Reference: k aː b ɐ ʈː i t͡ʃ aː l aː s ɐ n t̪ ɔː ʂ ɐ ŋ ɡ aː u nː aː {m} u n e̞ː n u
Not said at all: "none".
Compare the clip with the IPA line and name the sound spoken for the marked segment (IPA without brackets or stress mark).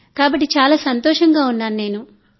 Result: n